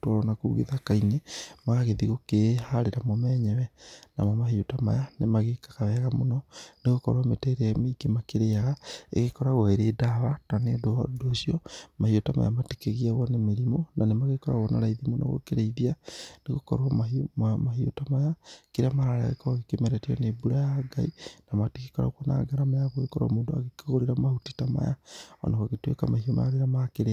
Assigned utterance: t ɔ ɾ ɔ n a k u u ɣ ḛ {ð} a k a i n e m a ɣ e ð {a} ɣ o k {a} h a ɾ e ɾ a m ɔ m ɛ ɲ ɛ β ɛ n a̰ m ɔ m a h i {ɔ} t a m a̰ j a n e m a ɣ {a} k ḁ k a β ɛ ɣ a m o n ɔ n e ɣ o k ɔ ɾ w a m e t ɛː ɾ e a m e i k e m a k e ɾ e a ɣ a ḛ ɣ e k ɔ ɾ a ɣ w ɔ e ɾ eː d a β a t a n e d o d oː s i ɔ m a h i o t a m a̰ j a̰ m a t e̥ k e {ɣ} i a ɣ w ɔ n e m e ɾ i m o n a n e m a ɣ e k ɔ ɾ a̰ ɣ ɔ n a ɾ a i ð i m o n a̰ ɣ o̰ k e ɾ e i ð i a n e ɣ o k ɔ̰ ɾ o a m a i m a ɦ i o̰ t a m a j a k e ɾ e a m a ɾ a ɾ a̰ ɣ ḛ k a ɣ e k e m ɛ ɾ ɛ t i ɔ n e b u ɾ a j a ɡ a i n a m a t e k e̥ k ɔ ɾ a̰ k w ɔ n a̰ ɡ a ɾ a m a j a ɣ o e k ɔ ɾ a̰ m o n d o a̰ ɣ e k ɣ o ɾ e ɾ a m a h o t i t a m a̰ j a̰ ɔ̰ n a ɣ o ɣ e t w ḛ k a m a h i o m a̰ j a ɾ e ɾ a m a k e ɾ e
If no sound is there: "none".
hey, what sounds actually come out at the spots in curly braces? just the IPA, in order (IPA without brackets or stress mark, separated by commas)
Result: ð, i, e, o, e, ɣ